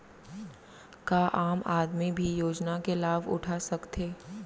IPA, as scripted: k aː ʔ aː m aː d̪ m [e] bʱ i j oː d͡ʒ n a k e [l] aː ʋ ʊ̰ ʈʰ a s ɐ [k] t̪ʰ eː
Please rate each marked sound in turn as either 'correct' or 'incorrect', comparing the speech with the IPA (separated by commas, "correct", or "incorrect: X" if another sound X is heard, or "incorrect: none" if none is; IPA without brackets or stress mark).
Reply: incorrect: i, correct, correct